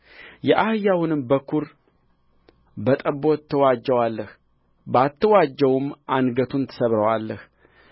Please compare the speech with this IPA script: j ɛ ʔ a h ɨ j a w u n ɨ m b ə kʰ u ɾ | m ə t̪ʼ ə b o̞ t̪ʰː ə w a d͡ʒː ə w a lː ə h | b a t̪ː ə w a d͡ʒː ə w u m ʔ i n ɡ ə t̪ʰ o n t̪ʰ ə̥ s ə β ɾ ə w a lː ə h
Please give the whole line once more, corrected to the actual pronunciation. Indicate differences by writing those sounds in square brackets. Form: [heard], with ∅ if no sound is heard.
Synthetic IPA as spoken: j ɛ ʔ a h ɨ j a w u n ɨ m b ə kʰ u ɾ | [b] ə t̪ʼ ə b o̞ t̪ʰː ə w a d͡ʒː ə w a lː ə h | b a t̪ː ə w a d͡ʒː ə w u m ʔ [a] n ɡ ə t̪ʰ [u] n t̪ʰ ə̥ s ə β ɾ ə w a lː ə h